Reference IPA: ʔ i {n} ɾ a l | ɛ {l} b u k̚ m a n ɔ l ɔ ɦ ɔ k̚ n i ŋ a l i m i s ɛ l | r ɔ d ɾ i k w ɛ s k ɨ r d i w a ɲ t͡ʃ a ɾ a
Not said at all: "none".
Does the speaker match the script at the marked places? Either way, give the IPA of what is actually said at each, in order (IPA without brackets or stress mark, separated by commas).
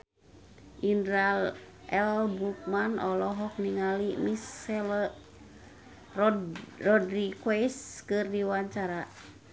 n, l